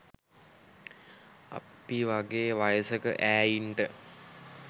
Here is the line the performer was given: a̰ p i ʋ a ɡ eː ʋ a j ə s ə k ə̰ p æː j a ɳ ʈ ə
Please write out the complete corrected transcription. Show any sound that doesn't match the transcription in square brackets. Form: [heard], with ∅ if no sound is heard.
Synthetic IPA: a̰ p i ʋ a ɡ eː ʋ a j ə s ə k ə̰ [ʔ] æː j [i] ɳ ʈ ə